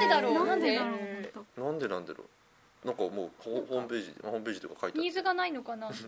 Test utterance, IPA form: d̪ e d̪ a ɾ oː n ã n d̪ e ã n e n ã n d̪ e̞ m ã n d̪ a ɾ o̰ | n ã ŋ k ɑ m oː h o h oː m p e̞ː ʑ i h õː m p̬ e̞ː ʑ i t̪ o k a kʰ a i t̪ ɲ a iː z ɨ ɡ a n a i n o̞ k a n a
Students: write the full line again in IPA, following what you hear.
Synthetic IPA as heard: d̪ e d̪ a ɾ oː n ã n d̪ e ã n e n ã n d̪ e̞ n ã n d̪ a ɾ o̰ | n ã ŋ k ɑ m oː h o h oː m p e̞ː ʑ i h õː m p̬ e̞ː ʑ i t̪ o k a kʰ a i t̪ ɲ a iː z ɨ ɡ a n a i n o̞ k a n a